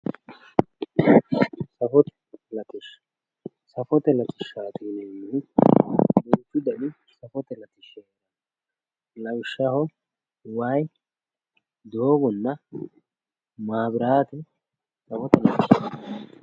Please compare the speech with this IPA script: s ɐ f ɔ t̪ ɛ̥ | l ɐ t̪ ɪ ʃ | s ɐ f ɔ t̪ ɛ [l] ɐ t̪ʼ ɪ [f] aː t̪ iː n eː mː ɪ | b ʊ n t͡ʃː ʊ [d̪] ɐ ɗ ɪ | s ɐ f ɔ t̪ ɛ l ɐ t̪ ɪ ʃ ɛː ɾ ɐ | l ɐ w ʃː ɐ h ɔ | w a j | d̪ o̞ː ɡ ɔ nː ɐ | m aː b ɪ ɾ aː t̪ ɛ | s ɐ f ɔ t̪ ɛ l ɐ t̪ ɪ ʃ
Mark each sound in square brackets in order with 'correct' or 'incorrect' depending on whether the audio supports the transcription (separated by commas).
correct, incorrect, correct